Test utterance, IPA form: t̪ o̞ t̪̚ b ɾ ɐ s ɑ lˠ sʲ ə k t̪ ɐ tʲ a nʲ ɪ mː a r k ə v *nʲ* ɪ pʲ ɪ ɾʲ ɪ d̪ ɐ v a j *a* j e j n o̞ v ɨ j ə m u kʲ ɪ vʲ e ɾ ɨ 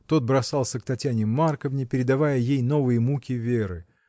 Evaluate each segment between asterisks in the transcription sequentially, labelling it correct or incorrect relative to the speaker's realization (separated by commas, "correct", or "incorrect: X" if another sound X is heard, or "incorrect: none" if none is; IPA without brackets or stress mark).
correct, incorrect: ə